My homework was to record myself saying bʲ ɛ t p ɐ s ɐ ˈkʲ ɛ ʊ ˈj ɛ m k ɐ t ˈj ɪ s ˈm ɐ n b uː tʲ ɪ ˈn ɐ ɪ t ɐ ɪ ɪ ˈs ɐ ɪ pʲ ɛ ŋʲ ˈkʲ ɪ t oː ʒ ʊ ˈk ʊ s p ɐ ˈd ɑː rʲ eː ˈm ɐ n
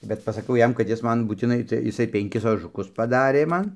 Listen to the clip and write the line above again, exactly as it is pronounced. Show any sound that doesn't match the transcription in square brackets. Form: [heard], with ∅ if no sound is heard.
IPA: bʲ ɛ t p ɐ s ɐ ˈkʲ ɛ ʊ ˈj ɛ m k ɐ t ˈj ɪ s ˈm ɐ n b uː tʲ ɪ ˈn ɐ ɪ t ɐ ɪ ɪ ˈs ɐ ɪ pʲ ɛ ŋʲ ˈkʲ ɪ [s] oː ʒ ʊ ˈk ʊ s p ɐ ˈd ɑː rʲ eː ˈm ɐ n